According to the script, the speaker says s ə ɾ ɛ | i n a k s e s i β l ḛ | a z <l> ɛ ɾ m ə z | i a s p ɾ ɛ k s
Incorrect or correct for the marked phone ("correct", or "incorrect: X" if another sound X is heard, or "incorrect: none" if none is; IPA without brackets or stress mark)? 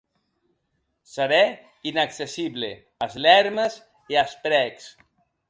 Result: correct